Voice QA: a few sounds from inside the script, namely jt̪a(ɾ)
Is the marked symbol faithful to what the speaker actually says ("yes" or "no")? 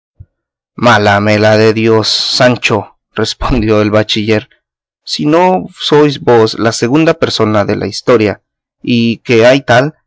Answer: no